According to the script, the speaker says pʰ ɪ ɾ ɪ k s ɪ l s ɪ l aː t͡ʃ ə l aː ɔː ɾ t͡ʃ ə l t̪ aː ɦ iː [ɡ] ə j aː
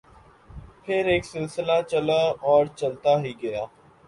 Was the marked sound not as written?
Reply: no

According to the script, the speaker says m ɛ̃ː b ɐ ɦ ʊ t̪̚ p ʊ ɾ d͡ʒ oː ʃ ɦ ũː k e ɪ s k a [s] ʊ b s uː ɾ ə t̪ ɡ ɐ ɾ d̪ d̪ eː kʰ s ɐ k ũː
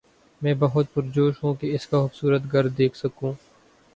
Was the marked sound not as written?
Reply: yes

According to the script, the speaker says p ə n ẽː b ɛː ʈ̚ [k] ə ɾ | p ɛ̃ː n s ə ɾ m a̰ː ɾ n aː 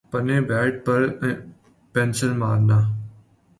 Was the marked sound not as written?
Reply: yes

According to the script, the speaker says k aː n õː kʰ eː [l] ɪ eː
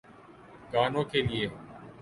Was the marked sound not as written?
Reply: no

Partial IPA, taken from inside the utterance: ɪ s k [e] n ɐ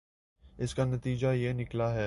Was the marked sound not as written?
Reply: yes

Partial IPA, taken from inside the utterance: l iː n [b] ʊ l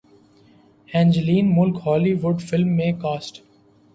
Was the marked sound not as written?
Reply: yes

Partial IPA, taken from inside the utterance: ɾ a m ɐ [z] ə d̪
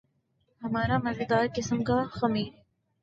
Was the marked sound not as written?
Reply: no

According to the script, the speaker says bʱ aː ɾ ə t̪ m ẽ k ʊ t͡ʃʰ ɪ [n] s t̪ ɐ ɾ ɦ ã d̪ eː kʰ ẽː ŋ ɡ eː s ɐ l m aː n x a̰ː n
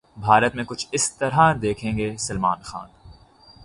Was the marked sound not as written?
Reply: yes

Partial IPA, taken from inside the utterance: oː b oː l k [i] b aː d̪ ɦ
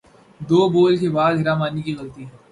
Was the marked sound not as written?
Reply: yes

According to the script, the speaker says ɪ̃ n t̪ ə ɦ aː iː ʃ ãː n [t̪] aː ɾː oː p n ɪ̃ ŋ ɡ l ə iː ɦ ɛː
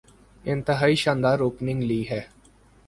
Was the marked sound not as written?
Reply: yes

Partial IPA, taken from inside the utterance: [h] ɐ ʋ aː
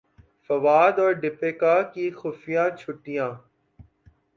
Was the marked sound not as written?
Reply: yes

